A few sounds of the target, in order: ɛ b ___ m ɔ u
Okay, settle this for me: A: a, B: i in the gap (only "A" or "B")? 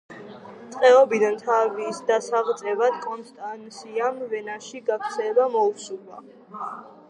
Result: A